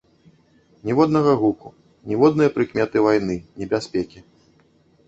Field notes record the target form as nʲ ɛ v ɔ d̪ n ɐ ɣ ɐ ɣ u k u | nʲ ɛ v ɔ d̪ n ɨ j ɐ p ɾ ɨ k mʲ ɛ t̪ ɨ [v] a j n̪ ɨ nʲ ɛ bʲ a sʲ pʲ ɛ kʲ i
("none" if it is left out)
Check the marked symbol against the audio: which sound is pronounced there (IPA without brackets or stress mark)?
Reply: v